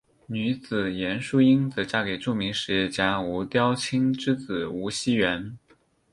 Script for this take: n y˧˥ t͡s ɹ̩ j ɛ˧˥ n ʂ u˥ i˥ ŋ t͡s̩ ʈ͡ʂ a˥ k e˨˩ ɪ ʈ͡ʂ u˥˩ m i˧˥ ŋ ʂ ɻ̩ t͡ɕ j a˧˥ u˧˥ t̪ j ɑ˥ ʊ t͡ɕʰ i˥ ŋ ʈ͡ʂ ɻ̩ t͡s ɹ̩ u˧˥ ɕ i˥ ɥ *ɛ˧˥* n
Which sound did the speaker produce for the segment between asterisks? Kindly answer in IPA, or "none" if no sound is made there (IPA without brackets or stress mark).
ɛ˧˥